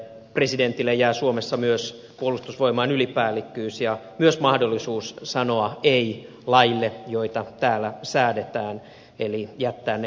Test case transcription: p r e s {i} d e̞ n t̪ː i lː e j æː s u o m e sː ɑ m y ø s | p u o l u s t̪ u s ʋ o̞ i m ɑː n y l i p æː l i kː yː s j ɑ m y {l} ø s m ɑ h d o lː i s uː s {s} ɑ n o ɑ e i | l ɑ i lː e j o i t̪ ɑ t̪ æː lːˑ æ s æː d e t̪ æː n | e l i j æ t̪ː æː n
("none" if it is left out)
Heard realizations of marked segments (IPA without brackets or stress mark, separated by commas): i, none, s